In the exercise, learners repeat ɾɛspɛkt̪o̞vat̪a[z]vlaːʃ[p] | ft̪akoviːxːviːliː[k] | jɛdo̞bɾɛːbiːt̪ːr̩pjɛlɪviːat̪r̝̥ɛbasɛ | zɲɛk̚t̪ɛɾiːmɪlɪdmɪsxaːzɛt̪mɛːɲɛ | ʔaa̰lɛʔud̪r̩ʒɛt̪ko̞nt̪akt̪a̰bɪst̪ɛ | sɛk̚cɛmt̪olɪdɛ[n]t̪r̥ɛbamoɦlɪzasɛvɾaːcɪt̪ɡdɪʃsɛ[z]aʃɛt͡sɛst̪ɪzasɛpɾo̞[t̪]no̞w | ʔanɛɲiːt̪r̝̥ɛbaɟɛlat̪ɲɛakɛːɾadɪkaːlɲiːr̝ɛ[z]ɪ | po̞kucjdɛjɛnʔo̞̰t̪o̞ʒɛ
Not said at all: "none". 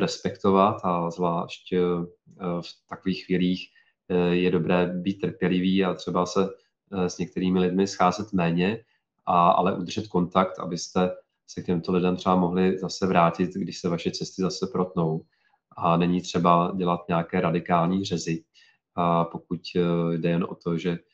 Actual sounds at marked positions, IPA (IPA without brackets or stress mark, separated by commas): z, c, x, m, v, t̪, z